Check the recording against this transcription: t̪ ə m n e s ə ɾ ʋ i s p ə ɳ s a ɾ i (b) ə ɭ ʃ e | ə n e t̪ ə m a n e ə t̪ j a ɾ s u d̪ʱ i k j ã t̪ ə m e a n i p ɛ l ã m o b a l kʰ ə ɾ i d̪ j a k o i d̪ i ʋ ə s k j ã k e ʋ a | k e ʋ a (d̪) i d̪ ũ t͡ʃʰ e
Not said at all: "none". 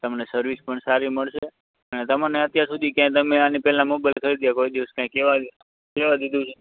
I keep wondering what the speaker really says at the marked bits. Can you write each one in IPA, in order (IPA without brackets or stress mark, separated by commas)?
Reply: m, d̪